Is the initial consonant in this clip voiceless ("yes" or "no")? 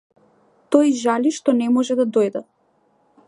yes